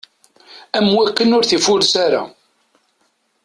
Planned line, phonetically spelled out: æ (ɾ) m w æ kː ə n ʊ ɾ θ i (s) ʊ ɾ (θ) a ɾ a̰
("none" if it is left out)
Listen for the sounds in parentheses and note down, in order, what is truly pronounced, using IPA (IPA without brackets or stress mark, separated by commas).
none, f, s